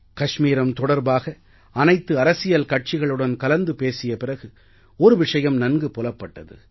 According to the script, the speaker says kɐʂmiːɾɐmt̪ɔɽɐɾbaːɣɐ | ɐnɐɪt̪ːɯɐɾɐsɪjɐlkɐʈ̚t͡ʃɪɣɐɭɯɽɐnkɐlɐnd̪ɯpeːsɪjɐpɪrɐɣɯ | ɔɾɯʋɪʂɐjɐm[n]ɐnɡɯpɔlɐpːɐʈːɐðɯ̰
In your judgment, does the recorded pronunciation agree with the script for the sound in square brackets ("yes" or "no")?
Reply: yes